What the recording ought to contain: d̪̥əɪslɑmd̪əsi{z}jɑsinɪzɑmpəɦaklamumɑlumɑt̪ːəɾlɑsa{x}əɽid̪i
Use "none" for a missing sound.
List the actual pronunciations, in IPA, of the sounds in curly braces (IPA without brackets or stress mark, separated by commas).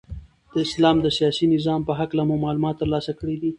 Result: none, k